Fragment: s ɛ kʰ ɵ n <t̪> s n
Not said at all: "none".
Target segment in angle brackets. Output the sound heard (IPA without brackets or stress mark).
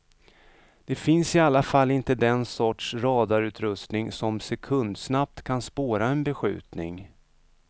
d̪